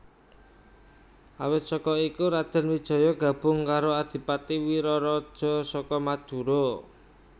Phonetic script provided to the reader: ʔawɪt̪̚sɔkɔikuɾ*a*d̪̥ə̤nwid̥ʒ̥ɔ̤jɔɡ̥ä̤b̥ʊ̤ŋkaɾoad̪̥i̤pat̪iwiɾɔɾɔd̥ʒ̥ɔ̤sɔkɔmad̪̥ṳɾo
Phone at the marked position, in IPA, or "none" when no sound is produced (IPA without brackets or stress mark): a